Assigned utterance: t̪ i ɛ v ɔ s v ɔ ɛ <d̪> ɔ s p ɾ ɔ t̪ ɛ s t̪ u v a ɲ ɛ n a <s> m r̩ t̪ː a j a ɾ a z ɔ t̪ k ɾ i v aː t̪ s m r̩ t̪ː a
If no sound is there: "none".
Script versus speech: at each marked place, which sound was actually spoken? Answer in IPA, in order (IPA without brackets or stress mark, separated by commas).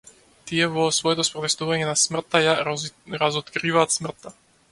t̪, s